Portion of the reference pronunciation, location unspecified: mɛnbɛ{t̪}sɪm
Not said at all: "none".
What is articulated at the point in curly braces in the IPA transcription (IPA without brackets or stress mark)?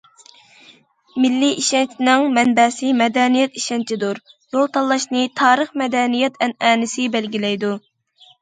none